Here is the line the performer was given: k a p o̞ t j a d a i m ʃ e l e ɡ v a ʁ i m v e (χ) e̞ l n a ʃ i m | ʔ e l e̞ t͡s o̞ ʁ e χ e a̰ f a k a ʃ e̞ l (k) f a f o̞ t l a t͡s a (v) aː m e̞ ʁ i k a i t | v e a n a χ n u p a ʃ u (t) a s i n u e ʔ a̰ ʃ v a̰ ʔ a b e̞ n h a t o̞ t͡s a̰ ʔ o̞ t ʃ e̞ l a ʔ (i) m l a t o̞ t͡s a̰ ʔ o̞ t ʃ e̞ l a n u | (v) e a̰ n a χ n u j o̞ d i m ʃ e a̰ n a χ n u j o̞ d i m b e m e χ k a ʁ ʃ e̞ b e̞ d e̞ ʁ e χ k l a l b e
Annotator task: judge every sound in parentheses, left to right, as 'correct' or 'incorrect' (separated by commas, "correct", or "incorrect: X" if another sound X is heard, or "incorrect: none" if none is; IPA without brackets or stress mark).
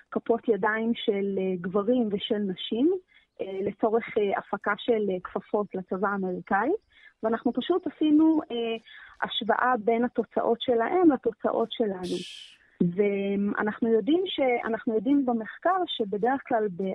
incorrect: ʃ, correct, correct, correct, incorrect: e, correct